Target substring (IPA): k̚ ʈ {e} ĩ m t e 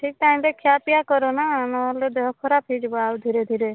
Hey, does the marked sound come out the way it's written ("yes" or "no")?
no